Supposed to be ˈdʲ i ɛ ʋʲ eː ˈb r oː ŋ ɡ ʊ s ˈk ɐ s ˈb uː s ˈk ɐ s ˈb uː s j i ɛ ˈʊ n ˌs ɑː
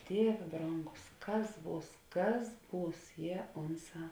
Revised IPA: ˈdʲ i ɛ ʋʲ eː ˈb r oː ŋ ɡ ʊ s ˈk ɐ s ˈb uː s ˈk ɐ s ˈb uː s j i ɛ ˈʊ n ˌs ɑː

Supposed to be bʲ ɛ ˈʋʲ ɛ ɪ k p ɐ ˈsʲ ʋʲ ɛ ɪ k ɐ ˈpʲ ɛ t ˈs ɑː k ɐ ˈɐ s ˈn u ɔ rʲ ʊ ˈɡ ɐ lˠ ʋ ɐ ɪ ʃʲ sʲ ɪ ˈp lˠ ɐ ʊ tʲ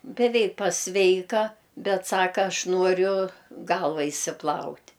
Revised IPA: bʲ ɛ ˈʋʲ ɛ ɪ k p ɐ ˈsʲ ʋʲ ɛ ɪ k ɐ ˈbʲ ɛ t ˈs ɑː k ɐ ˈɐ ʃ ˈn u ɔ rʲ ʊ ˈɡ ɐ lˠ ʋ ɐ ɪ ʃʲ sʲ ɪ ˈp lˠ ɐ ʊ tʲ

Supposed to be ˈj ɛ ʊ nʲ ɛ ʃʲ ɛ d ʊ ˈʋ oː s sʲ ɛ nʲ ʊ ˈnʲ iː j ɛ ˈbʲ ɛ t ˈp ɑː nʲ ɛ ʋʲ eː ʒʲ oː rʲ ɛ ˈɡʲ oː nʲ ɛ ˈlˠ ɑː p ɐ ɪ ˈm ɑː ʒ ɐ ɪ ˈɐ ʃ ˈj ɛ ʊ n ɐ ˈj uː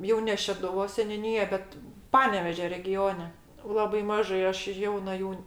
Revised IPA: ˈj ɛ ʊ nʲ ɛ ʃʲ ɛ d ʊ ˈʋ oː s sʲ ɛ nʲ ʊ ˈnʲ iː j ɛ ˈbʲ ɛ t ˈp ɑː nʲ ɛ ʋʲ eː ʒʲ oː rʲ ɛ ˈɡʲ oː nʲ ɛ ˈlˠ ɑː b ɐ ɪ ˈm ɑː ʒ ɐ ɪ ˈɐ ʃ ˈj ɛ ʊ n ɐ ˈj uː

